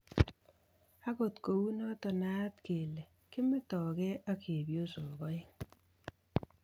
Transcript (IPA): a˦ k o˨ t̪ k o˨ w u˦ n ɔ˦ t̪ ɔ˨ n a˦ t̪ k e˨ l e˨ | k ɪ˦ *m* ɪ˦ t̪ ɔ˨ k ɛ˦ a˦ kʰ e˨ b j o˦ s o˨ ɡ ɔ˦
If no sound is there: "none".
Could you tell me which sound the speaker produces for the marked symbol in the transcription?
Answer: m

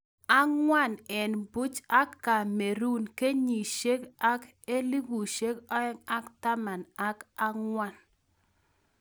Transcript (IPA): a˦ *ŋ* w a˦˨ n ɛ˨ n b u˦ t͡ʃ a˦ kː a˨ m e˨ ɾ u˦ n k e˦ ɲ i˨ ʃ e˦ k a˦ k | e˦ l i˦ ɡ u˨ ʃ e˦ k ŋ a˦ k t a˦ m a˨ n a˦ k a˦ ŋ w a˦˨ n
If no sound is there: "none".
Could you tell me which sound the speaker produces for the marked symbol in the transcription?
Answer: ŋ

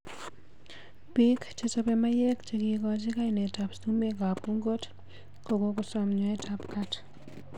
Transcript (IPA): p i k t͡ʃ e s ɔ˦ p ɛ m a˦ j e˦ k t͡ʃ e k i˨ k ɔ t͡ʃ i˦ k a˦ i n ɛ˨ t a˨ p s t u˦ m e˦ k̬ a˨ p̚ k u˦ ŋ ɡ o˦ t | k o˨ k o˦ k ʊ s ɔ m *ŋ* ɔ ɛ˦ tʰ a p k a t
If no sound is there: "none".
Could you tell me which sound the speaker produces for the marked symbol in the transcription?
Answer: ɲ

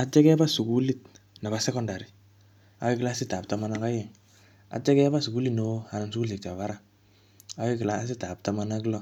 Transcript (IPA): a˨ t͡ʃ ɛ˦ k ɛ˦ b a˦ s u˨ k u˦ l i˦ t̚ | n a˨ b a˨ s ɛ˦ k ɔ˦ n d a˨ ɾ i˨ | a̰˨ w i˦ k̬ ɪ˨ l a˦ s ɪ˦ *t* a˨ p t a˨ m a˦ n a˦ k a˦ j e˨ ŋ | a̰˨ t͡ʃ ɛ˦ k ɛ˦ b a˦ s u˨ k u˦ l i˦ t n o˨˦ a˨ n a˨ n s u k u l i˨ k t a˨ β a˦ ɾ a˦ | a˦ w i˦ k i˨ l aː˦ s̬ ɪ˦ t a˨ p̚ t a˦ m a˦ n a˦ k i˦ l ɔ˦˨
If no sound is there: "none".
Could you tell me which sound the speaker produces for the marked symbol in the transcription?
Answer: t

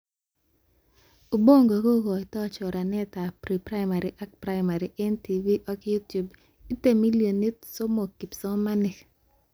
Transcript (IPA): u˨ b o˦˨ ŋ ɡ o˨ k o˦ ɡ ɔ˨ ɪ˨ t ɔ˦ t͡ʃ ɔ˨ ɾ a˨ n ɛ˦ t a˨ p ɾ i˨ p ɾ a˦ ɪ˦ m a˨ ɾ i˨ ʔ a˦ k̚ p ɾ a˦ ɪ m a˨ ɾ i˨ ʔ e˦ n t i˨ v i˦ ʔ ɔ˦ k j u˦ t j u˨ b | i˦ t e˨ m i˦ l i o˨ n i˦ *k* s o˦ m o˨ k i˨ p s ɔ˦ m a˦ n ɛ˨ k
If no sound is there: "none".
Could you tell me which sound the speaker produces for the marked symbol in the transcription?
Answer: t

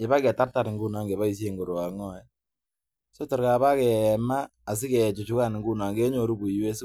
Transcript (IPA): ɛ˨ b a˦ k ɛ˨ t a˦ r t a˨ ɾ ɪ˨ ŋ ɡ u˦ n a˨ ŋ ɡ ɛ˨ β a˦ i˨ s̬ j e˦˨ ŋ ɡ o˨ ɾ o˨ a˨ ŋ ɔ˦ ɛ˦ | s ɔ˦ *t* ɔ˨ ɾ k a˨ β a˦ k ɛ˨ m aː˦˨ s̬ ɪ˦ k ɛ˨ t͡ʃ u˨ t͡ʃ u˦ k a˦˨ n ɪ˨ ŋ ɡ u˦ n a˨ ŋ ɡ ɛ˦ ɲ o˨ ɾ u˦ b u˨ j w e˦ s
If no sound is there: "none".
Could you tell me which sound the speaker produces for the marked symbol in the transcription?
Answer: t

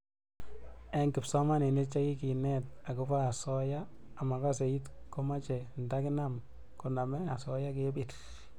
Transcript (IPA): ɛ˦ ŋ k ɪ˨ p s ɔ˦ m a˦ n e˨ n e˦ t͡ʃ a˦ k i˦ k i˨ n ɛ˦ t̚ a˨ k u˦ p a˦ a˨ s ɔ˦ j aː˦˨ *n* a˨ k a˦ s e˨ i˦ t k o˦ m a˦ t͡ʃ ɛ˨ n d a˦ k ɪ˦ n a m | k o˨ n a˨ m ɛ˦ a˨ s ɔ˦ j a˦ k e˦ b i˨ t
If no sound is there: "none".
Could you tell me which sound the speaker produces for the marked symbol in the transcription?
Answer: m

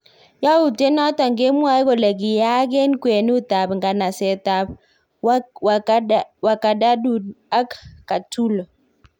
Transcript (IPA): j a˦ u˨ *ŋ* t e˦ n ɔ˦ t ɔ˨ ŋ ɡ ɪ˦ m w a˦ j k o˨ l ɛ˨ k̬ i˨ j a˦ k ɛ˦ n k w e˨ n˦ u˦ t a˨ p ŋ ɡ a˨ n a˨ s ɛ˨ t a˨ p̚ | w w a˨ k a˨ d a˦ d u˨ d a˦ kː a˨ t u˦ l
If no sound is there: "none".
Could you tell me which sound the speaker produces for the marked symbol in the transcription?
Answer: none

